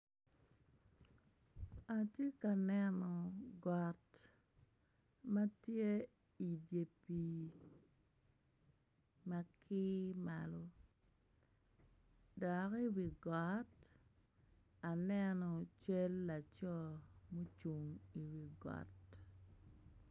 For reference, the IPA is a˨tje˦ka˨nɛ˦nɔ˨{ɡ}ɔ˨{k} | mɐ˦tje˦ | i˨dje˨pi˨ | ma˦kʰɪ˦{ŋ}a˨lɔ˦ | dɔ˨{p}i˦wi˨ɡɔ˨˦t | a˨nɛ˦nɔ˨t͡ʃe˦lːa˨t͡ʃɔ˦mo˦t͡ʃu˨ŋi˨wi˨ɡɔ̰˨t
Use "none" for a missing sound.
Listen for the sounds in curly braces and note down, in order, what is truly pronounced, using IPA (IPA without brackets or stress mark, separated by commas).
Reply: ɡ, t, m, k